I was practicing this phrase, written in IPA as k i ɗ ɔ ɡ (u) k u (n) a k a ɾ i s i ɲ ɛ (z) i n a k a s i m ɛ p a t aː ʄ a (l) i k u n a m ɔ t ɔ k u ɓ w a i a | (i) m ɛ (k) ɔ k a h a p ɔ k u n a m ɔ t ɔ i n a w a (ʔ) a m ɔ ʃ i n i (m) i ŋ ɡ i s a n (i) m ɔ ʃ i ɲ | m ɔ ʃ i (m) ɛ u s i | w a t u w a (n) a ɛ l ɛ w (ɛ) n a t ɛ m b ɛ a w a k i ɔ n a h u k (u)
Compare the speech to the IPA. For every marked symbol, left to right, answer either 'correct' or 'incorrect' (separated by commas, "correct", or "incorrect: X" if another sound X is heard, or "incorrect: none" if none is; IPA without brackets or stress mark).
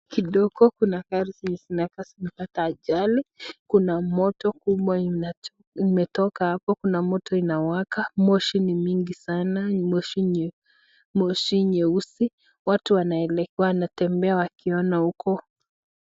incorrect: ɔ, correct, incorrect: s, correct, correct, incorrect: t, incorrect: k, correct, incorrect: a, incorrect: ɲ, correct, incorrect: a, incorrect: ɔ